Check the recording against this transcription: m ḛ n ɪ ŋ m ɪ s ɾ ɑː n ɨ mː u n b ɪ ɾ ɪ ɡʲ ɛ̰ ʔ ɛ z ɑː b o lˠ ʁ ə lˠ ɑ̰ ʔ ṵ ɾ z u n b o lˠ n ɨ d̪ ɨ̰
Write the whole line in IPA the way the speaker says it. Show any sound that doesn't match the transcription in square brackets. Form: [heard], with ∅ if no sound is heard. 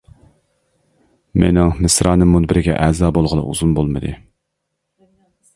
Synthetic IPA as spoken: m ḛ n ɪ ŋ m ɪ s ɾ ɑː n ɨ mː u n b ɪ ɾ ɪ ɡʲ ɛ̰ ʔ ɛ z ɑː b o lˠ ʁ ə lˠ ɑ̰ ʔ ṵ [∅] z u n b o lˠ [m] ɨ d̪ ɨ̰